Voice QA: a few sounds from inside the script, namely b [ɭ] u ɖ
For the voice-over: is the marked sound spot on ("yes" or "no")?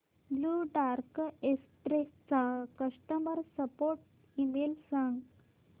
no